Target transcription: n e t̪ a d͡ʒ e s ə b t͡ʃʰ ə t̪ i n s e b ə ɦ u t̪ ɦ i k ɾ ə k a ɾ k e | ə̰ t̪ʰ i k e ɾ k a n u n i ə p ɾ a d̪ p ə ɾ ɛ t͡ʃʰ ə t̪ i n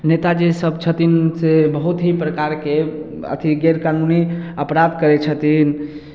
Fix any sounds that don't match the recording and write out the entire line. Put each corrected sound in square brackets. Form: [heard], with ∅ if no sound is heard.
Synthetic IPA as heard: n e t̪ a d͡ʒ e s ə b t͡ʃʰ ə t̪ i n s e b ə ɦ u t̪ ɦ i [p] ɾ ə k a ɾ k e | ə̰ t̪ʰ i [ɡ] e ɾ k a n u n i ə p ɾ a d̪ [k] ə ɾ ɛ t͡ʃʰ ə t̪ i n